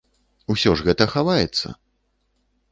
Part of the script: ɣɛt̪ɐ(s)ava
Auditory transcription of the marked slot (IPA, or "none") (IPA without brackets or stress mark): x